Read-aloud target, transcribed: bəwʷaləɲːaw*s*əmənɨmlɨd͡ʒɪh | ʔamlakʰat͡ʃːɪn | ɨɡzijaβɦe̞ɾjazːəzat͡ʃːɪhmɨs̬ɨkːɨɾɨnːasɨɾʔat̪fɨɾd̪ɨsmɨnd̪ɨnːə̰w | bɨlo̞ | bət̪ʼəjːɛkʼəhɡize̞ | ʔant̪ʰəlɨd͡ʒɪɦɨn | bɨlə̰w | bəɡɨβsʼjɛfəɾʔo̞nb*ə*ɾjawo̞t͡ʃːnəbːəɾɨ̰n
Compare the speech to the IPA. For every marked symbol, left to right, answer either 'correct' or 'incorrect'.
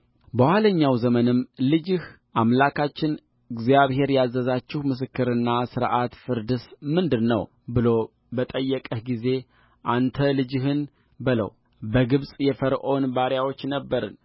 incorrect: z, incorrect: a

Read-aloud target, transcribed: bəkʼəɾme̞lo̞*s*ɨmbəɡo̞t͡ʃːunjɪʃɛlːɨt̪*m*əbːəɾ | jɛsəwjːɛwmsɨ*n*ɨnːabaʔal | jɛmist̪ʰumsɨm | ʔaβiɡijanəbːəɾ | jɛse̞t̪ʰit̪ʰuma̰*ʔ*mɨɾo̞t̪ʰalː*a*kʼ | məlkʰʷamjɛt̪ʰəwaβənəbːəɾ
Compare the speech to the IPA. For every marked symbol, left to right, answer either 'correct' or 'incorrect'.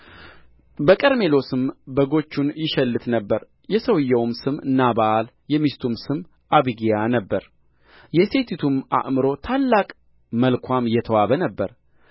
correct, incorrect: n, incorrect: m, correct, correct

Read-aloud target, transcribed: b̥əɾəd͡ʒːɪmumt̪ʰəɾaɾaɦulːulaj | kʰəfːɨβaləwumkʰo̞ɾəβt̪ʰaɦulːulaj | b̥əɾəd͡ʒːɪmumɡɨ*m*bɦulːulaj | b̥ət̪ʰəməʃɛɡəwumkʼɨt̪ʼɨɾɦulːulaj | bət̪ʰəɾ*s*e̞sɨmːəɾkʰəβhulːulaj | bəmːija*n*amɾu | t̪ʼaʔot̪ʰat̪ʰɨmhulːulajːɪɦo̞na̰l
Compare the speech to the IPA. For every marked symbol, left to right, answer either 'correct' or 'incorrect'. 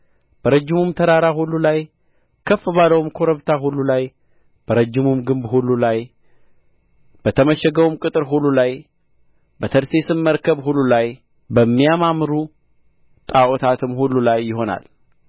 correct, correct, incorrect: m

